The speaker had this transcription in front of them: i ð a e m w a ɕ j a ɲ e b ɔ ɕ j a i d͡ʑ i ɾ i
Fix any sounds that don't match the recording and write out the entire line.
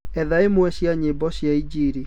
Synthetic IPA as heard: ɛ ð a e m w ɛ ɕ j a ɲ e b ɔ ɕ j a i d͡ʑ i ɾ i